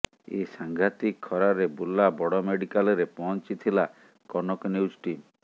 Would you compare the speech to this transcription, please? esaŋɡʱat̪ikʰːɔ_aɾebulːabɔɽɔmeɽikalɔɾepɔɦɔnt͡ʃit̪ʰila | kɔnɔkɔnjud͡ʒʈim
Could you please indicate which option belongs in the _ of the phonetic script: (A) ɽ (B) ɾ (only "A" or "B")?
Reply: B